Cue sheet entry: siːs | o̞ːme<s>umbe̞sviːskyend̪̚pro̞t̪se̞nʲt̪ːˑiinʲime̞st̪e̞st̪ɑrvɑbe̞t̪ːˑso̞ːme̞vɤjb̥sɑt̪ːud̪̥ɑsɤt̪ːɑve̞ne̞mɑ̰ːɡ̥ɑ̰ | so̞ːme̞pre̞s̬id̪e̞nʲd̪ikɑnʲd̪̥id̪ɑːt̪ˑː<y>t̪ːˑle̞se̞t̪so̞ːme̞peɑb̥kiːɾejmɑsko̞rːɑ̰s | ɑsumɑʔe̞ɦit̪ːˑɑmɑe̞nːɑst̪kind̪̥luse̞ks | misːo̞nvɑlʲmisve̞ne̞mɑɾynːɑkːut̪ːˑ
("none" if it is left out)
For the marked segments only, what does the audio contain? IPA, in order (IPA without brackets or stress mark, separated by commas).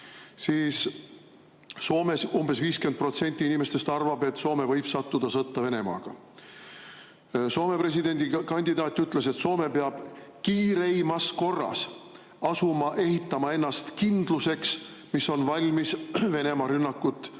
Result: s, y